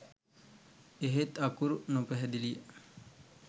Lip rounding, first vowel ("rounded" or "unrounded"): unrounded